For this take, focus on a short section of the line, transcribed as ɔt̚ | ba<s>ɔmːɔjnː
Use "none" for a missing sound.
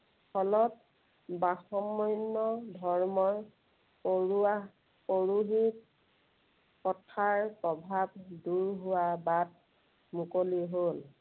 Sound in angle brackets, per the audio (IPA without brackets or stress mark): x